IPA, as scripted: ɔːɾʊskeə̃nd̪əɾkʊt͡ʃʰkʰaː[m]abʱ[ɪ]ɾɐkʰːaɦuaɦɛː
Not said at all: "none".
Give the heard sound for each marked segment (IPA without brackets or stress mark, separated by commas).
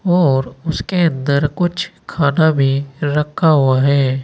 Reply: n, i